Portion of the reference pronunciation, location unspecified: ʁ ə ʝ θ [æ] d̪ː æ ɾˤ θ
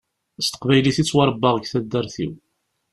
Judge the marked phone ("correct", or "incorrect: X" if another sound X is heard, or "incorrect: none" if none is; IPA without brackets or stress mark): correct